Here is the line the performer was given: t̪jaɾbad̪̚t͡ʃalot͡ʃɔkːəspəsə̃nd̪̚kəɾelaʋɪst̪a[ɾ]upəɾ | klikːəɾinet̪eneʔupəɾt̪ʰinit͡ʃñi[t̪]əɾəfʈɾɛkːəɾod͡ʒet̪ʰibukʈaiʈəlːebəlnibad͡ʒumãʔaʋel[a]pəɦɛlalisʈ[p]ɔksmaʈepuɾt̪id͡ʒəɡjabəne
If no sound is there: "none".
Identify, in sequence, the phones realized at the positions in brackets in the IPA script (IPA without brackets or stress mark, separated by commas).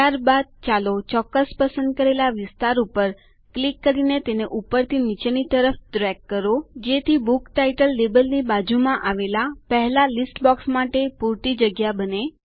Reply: ɾ, t̪, a, b